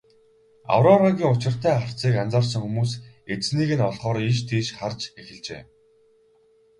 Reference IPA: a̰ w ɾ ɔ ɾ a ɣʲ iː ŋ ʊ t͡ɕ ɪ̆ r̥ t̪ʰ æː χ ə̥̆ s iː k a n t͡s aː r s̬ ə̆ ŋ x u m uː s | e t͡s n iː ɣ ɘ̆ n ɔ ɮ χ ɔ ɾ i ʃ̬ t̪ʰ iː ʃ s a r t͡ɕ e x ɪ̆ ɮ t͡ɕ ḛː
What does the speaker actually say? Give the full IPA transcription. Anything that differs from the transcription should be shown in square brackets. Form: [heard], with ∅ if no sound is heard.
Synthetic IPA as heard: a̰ w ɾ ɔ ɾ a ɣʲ iː ŋ ʊ t͡ɕ ɪ̆ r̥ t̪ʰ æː χ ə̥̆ [t͡s] iː k a n t͡s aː r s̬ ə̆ ŋ x u m uː s | e t͡s n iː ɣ ɘ̆ n ɔ ɮ χ [ɔː] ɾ i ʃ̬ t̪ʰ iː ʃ [χ] a r t͡ɕ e x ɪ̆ ɮ t͡ɕ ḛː